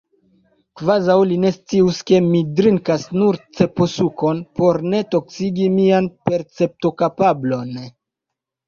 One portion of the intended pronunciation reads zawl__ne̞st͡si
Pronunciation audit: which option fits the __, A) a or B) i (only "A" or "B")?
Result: B